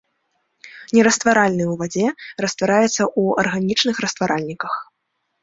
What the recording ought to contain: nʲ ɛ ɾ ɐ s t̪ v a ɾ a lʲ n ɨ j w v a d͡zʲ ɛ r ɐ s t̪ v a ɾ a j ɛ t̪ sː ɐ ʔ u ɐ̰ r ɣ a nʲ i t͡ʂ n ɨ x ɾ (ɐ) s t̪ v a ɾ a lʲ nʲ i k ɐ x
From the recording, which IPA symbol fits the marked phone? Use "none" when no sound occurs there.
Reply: ɐ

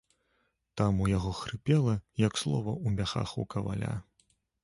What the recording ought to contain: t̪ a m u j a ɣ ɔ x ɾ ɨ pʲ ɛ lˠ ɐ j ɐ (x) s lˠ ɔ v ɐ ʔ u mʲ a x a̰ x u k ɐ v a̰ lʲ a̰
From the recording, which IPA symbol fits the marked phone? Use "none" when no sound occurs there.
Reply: k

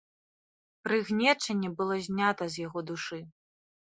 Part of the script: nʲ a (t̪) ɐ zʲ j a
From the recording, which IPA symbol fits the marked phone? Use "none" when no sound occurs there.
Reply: t̪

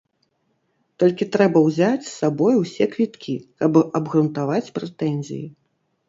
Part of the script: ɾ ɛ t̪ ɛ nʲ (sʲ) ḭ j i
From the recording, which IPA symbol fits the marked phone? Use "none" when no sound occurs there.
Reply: zʲ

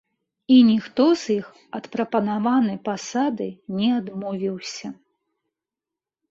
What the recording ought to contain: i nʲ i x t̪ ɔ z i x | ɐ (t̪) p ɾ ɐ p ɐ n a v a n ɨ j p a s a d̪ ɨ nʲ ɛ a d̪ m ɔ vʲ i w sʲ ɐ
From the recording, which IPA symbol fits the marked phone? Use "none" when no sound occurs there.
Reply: t̪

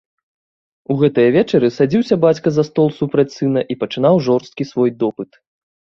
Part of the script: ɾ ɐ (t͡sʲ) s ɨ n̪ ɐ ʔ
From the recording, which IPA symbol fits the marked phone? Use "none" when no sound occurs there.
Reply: t͡sʲ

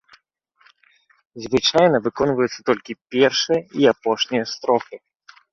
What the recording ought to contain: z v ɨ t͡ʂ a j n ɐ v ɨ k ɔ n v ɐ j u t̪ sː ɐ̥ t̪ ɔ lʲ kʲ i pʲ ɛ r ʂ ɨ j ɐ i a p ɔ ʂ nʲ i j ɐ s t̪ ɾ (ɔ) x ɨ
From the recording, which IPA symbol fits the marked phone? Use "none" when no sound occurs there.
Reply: ɔ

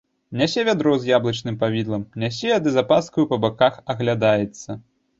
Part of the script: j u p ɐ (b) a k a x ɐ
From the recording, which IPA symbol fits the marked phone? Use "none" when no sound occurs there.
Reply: b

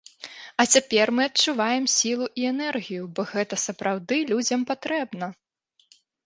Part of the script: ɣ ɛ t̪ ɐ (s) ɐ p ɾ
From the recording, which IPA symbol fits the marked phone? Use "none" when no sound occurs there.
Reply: s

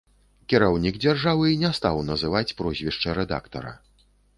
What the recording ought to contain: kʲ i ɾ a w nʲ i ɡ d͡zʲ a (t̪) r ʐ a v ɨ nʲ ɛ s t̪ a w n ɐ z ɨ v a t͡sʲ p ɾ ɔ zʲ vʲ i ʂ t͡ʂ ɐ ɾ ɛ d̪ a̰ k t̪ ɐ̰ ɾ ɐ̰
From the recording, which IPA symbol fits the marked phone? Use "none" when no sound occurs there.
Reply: none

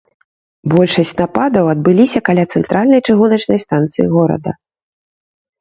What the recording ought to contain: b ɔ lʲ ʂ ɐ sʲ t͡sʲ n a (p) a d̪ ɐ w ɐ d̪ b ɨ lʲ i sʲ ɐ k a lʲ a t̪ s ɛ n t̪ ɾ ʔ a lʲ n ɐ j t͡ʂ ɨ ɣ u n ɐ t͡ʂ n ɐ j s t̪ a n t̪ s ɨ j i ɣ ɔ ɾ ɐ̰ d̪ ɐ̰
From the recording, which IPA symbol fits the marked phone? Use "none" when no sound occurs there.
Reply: p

